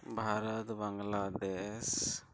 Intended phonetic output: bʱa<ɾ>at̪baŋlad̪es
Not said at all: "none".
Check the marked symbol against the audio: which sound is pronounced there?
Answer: ɾ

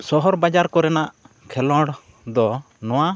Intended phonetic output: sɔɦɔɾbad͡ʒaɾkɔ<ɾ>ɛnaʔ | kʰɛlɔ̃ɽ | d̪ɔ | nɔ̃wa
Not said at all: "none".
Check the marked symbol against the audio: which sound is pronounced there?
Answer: ɾ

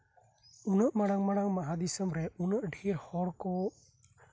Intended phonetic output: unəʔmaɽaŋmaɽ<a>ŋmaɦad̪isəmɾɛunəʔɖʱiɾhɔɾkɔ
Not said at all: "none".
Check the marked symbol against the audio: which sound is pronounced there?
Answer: a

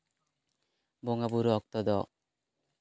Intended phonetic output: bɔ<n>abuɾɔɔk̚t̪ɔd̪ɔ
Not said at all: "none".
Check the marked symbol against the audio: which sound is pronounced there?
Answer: ŋ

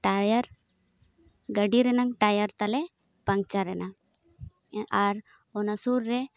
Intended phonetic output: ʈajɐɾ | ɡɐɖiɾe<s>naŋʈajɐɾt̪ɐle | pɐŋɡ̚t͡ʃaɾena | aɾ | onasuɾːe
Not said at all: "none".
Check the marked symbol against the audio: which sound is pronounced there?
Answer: none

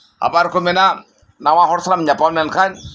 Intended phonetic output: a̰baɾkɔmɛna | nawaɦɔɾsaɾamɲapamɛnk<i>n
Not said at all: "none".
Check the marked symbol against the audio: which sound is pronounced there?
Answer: a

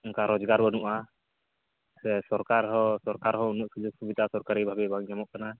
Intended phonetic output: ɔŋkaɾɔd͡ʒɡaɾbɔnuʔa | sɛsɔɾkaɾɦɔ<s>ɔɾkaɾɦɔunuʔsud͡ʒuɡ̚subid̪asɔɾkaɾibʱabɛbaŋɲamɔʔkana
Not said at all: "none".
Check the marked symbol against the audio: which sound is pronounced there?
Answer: s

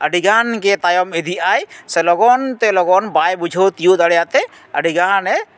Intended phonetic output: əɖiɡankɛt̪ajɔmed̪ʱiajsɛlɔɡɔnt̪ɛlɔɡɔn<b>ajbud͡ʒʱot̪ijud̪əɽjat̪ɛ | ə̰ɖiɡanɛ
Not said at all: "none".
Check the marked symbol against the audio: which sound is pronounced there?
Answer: b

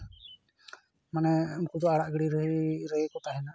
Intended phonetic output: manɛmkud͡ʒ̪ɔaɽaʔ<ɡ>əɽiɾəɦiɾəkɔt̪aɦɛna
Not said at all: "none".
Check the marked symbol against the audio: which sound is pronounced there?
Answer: ɡ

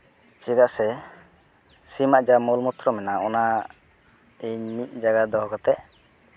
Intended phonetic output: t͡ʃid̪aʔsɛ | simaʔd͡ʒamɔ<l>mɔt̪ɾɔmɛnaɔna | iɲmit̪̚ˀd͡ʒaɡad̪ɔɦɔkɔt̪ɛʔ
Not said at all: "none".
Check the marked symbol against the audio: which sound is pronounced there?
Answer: l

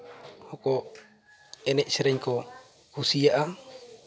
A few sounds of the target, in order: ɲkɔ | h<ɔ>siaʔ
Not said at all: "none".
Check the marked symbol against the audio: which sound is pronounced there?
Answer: u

